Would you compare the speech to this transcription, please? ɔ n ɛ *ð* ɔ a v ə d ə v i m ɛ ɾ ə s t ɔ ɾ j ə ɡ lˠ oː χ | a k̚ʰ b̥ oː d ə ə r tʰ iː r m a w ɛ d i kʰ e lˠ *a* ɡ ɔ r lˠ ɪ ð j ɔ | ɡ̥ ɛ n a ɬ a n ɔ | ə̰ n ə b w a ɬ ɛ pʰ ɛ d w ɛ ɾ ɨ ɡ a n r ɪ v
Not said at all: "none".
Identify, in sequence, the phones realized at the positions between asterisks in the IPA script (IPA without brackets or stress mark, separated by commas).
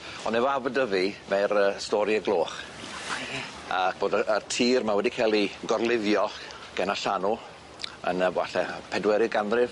v, i